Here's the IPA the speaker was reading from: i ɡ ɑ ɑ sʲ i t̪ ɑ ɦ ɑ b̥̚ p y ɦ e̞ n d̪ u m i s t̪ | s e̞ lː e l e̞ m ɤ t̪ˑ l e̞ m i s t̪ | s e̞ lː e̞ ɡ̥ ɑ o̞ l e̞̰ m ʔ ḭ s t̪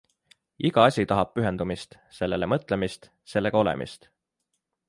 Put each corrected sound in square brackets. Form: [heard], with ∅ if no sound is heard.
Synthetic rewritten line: i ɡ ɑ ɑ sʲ i t̪ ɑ ɦ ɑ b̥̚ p y ɦ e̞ n d̪ u m i s t̪ | s e̞ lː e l e̞ m ɤ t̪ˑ l e̞ m i s t̪ | s e̞ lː e̞ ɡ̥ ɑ o̞ l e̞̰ m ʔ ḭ s t̪

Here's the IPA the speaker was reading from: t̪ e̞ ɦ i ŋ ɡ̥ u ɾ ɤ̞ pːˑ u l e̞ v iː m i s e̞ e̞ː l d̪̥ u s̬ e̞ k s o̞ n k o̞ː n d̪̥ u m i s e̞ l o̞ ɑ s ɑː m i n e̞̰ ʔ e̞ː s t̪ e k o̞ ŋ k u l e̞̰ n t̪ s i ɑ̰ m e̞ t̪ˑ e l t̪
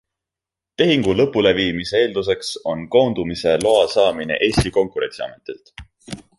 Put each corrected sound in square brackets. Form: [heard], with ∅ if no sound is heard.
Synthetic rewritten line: t̪ e̞ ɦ i ŋ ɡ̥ u [l] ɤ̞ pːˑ u l e̞ v iː m i s e̞ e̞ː l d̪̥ u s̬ e̞ k s o̞ n k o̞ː n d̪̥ u m i s e̞ l o̞ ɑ s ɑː m i n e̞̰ ʔ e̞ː s t̪ [i] k o̞ ŋ k u [ɾ] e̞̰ n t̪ s i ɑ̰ m e̞ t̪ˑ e l t̪

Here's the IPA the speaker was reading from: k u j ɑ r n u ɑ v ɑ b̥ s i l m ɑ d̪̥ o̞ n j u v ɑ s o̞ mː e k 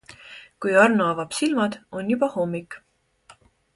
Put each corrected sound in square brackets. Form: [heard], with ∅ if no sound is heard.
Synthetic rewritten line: k u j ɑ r n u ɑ v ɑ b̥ s i l m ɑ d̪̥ o̞ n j u [b] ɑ [h] o̞ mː [i] k

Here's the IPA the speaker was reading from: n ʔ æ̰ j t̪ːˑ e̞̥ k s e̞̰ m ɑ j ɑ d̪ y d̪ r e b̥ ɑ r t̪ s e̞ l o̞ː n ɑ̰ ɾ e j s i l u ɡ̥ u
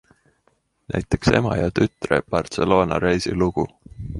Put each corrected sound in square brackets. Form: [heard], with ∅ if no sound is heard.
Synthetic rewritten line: n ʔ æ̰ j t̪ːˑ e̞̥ k s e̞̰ m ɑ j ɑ [t̪] y [t̪] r e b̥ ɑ r t̪ s e̞ l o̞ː n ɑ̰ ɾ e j s i l u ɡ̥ u

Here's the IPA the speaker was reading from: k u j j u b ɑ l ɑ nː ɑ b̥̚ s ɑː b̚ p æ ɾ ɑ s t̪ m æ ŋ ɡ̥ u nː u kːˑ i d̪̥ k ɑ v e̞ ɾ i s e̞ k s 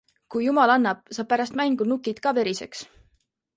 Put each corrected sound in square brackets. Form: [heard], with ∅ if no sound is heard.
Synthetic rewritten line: k u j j u [m] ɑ l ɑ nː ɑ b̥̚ s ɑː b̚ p æ ɾ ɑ s t̪ m æ ŋ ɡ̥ u [n] u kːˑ i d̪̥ k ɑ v e̞ ɾ i s e̞ k s

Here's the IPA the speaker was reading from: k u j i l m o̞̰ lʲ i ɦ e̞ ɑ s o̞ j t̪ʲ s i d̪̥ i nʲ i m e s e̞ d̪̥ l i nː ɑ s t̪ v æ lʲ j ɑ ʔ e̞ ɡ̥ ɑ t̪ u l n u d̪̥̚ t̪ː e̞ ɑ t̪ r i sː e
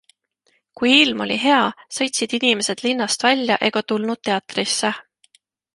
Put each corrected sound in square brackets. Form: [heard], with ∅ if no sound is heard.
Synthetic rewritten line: k u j i l m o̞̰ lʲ i ɦ e̞ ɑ s [ɤ̞] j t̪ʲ s i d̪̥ i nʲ i m e s e̞ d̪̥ l i nː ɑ s t̪ v æ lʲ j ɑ ʔ e̞ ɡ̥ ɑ t̪ u l n u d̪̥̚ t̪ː e̞ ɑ t̪ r i sː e

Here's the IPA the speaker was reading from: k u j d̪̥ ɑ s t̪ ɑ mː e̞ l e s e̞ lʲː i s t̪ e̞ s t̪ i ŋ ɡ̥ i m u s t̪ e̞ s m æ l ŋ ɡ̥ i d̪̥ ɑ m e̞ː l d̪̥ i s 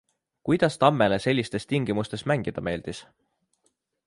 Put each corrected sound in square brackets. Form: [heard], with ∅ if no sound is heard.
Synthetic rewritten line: k u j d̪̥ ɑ s t̪ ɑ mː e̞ l e s e̞ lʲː i s t̪ e̞ s t̪ i ŋ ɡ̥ i m u s t̪ e̞ s m æ [∅] ŋ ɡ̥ i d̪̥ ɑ m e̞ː l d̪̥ i s

